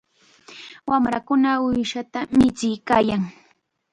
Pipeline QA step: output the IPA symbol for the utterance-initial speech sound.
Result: w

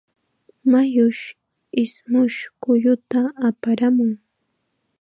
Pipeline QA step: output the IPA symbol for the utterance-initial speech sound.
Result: m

